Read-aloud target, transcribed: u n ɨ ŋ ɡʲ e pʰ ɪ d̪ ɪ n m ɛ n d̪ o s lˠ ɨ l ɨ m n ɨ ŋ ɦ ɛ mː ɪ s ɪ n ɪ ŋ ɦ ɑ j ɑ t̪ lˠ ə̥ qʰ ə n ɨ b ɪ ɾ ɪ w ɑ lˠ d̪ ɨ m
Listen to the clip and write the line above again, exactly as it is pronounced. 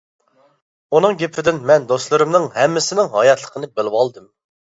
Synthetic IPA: u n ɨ ŋ ɡʲ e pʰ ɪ d̪ ɪ n m ɛ n d̪ o s lˠ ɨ ɾ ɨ m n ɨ ŋ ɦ ɛ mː ɪ s ɪ n ɪ ŋ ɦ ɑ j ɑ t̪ lˠ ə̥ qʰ ə n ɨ b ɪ l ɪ w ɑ lˠ d̪ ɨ m